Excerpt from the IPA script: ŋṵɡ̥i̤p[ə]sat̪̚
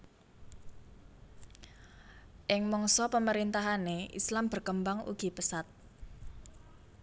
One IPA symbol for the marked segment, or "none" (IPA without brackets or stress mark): ə